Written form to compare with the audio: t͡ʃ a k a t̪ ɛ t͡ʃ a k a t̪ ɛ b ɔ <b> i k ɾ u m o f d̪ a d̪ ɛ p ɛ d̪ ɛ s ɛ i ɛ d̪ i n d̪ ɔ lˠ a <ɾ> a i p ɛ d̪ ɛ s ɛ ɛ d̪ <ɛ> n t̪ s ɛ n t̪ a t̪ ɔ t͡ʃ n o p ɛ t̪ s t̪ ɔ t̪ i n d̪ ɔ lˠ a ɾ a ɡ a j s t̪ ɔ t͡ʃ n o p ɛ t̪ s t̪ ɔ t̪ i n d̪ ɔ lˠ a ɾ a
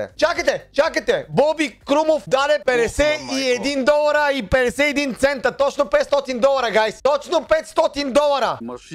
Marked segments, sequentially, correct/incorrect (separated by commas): correct, correct, incorrect